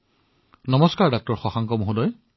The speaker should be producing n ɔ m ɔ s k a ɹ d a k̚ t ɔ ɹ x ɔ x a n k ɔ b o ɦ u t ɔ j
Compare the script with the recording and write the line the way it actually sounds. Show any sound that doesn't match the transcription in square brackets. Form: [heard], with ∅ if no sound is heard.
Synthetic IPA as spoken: n ɔ m ɔ s k a ɹ d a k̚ t ɔ ɹ x ɔ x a [ŋ] k ɔ [m] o ɦ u [d] ɔ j